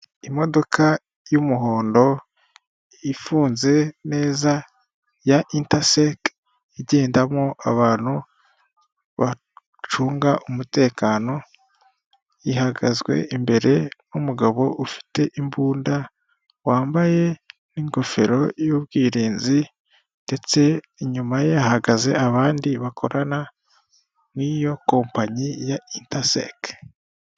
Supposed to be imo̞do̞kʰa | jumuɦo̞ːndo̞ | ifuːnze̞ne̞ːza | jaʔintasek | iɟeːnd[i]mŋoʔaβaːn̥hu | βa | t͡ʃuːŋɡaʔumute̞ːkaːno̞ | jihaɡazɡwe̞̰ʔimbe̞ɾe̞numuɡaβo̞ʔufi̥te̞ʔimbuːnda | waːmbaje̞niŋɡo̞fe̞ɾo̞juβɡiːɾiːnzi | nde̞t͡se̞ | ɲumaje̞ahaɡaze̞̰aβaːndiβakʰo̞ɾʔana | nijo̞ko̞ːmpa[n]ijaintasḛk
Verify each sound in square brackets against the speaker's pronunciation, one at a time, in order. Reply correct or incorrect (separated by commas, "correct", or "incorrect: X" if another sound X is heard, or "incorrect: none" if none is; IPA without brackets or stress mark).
incorrect: a, incorrect: ɲ